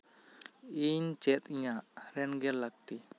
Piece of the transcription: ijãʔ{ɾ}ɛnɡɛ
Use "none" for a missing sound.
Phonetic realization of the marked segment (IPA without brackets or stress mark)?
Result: ɾ